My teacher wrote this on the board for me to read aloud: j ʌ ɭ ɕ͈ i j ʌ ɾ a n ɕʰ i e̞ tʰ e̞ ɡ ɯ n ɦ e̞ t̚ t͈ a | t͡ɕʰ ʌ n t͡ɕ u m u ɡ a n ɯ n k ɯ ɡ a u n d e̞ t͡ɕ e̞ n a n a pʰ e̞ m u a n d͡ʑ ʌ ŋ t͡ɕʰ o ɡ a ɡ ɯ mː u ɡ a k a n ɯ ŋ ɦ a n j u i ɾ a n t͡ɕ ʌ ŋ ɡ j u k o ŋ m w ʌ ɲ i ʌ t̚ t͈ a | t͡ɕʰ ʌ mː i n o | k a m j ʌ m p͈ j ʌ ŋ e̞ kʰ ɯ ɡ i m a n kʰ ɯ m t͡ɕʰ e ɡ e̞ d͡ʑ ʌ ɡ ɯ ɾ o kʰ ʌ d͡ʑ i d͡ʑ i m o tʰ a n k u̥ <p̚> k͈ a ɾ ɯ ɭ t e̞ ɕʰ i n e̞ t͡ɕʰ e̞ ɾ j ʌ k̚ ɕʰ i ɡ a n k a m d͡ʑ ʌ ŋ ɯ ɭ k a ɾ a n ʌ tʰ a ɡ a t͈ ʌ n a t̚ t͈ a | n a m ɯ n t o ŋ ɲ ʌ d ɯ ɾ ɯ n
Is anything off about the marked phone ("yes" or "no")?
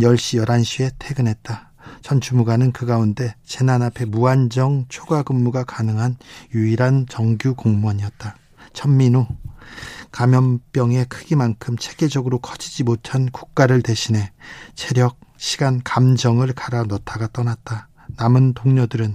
yes